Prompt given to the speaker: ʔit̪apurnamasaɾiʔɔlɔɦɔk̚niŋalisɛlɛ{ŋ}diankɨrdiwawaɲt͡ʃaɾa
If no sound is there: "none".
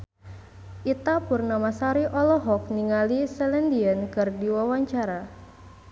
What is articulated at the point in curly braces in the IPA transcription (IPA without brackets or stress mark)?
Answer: n